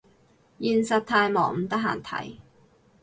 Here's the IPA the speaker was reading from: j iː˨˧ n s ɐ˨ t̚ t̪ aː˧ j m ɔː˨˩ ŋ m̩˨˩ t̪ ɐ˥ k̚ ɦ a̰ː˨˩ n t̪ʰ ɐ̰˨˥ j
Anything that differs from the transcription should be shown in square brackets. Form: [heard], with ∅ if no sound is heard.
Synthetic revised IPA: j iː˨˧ n s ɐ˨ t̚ [t̪ʰ] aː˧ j m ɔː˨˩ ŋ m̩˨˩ t̪ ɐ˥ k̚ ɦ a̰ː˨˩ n t̪ʰ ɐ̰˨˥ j